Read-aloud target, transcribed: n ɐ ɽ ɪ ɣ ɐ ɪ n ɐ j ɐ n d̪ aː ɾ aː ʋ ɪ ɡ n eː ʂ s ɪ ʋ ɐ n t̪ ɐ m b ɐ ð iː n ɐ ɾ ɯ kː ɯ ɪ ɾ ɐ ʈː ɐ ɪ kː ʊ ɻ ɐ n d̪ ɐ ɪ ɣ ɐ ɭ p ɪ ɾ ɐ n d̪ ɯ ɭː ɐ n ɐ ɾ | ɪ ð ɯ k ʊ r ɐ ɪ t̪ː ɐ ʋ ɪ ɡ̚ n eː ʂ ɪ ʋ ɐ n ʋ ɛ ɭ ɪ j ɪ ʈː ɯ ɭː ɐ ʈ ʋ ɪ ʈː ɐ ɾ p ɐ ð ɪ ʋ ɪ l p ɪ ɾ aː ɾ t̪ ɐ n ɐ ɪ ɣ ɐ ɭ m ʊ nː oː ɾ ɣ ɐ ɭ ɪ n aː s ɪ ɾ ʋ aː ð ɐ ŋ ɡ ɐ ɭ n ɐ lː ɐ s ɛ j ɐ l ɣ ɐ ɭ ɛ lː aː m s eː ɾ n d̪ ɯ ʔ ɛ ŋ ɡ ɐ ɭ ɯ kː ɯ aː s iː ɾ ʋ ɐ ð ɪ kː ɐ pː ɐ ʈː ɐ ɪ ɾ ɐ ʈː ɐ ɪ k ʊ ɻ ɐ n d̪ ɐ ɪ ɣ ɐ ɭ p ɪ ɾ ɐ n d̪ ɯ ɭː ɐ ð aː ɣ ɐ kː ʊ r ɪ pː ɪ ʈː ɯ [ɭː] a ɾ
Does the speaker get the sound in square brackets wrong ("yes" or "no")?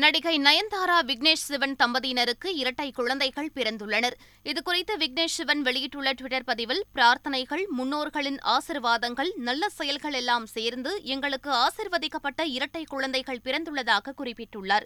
no